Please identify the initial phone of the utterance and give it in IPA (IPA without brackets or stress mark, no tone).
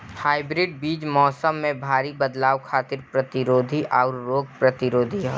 h